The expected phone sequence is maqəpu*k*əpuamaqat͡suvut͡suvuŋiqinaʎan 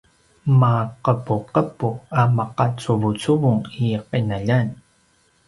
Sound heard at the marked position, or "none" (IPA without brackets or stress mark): q